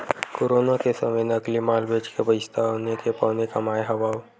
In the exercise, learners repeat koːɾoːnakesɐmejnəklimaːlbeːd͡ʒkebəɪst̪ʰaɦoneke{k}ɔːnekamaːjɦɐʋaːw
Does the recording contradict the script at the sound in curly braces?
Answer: yes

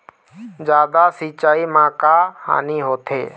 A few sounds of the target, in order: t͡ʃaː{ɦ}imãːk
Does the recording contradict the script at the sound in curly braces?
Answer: yes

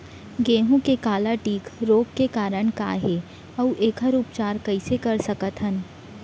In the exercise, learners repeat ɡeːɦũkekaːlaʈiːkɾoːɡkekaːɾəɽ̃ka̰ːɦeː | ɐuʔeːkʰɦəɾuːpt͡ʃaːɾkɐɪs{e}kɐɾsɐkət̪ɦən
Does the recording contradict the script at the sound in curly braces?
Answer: no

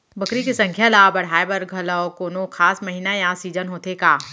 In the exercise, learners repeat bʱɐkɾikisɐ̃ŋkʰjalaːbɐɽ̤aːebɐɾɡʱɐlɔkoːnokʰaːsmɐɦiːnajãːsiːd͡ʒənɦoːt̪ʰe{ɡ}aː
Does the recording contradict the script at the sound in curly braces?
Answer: yes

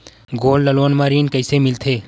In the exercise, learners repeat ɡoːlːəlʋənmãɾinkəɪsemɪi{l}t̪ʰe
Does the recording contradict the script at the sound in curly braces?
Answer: no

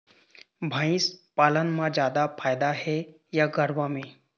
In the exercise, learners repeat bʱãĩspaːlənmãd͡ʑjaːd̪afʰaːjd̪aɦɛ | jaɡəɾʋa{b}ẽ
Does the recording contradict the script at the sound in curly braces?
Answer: yes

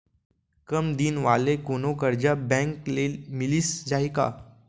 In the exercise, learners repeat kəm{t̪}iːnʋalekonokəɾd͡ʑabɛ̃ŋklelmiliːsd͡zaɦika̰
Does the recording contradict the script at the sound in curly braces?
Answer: yes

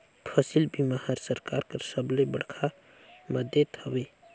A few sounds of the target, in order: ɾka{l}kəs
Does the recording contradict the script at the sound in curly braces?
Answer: yes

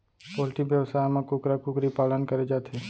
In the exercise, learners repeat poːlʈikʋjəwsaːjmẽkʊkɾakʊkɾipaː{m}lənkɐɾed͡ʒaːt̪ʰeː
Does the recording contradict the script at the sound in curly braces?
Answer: yes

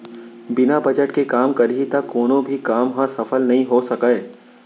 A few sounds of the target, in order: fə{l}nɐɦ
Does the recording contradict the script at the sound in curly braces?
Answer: no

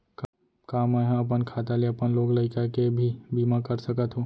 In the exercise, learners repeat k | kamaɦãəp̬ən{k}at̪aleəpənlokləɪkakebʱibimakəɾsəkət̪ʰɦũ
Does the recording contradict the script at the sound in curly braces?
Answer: yes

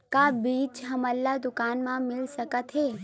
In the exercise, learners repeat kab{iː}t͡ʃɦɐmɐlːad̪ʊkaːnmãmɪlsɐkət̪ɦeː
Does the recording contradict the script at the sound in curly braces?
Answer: no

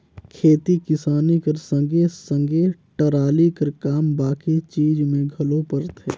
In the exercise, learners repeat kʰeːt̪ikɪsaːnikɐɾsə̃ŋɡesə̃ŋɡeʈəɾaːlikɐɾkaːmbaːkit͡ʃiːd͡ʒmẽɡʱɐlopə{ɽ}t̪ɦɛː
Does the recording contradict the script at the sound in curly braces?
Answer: yes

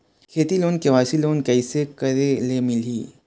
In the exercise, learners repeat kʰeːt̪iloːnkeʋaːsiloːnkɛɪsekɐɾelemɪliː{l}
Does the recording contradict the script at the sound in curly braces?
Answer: yes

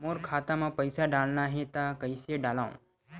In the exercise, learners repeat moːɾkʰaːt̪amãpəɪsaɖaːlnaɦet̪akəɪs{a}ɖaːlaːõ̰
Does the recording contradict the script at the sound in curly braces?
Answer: yes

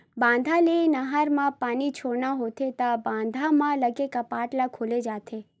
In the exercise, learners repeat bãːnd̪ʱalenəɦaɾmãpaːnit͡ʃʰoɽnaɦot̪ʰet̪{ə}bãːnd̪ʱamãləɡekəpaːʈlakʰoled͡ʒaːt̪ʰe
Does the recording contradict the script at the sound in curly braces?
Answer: yes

